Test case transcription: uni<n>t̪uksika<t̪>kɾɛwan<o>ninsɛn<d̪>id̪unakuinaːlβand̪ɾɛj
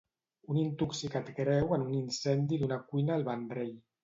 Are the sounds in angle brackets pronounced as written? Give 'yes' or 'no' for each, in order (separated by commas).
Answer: yes, yes, no, yes